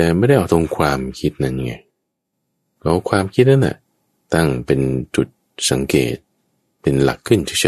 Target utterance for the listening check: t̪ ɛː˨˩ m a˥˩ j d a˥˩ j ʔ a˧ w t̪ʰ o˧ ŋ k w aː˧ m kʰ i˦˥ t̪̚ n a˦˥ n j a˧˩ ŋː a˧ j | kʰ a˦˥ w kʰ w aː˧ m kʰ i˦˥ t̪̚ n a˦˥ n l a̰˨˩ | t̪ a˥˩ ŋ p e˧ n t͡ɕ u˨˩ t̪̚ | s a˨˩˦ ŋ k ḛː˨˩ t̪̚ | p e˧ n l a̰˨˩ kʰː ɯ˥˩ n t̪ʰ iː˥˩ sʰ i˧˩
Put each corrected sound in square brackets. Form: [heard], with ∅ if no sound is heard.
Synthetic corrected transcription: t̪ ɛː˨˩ m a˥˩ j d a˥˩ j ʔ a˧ w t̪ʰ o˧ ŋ [kʰ] w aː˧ m kʰ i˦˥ t̪̚ n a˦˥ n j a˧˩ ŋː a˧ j | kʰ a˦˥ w kʰ w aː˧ m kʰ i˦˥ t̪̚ n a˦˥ n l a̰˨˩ | t̪ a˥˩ ŋ p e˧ n t͡ɕ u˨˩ t̪̚ | s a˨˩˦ ŋ k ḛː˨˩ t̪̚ | p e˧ n l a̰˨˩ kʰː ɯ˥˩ n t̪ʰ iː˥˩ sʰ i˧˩